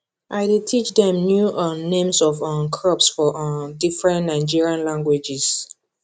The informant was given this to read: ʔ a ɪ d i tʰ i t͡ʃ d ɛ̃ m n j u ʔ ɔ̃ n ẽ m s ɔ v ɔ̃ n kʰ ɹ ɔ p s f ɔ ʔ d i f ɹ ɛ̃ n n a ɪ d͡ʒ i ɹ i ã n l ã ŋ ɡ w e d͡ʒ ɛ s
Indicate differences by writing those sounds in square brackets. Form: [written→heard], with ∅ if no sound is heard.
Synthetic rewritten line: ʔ a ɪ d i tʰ i t͡ʃ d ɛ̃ m n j u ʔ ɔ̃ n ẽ m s ɔ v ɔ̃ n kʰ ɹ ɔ p s f ɔ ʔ d i f ɹ ɛ̃ n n a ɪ d͡ʒ i ɹ i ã n l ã ŋ ɡ w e d͡ʒ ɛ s